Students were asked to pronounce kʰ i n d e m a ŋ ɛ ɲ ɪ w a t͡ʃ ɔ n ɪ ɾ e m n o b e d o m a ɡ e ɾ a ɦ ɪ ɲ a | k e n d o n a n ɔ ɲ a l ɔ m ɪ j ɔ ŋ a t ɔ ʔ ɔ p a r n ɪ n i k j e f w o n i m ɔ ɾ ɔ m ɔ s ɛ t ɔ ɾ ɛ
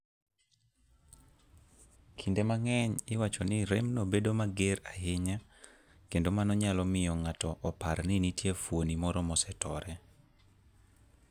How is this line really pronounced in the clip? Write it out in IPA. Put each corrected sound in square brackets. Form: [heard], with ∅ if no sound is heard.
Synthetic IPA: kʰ i n d e m a ŋ ɛ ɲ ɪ w a t͡ʃ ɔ n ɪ ɾ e m n o b e d o m a ɡ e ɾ a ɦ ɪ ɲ a | k e n d o [m] a n ɔ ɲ a l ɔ m ɪ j ɔ ŋ a t ɔ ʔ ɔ p a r n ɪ n i [t] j e f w o n i m ɔ ɾ ɔ m ɔ s ɛ t ɔ ɾ ɛ